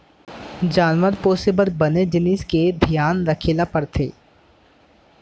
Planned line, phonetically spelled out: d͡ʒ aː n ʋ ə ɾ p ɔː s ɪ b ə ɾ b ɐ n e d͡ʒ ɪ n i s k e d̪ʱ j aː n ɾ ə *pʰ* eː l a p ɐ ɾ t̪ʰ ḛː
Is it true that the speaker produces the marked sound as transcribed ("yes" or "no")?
no